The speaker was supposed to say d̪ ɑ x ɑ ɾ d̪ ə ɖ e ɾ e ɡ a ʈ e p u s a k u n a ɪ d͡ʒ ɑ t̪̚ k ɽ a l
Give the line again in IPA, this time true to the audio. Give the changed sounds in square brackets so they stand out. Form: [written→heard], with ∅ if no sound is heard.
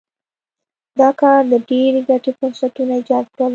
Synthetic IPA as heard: d̪ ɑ [x→k] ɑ ɾ d̪ ə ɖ e ɾ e ɡ a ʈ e p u s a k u n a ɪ d͡ʒ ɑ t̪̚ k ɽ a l